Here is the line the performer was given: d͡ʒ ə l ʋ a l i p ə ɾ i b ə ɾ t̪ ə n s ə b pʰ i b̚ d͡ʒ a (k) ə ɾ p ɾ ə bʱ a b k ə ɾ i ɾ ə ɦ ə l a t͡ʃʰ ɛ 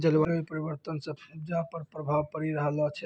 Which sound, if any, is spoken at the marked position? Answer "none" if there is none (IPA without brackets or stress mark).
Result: p